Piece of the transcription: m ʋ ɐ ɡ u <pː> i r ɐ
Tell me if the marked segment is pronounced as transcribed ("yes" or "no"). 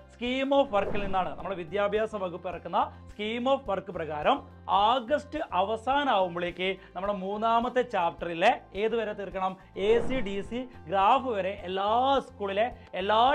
yes